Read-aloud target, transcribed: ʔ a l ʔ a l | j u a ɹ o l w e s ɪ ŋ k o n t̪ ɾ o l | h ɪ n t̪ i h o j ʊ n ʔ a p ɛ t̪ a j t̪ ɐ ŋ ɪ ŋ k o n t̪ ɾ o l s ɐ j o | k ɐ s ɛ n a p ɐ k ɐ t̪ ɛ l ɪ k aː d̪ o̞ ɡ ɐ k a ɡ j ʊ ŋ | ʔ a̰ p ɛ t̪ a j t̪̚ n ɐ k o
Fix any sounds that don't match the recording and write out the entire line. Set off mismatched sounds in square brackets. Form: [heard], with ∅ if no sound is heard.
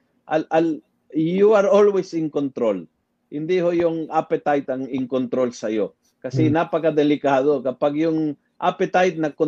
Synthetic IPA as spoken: ʔ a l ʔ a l | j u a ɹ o l w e s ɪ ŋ k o n t̪ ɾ o l | h ɪ n [d̪] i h o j ʊ [ŋ] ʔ a p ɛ t̪ a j t̪ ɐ ŋ ɪ ŋ k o n t̪ ɾ o l s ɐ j o | k ɐ s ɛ n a p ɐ k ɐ [d̪] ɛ l ɪ k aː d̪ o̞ [k] ɐ [p] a ɡ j ʊ ŋ | ʔ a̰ p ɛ t̪ a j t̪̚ n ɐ k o